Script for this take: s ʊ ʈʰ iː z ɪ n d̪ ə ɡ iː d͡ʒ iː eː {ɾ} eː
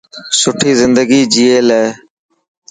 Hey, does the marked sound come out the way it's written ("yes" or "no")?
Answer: no